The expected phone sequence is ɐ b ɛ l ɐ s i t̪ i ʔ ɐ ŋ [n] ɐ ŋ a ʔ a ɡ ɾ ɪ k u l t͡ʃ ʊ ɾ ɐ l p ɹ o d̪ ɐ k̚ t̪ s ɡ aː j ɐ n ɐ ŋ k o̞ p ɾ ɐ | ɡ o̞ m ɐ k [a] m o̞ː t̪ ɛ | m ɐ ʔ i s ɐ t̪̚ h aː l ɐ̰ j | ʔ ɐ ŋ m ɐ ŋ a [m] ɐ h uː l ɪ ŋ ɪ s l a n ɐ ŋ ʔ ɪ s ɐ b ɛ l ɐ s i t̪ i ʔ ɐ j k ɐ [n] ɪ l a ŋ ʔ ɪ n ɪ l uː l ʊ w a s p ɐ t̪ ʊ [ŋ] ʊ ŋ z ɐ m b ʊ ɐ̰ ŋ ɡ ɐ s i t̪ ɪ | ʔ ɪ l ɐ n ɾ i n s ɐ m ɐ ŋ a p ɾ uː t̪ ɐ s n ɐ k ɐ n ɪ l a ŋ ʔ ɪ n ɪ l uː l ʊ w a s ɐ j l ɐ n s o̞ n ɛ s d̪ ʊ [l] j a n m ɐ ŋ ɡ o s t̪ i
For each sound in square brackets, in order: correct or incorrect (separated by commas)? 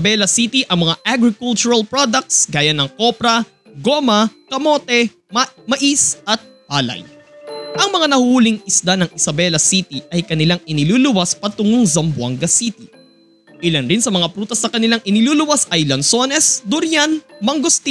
incorrect, incorrect, incorrect, correct, correct, incorrect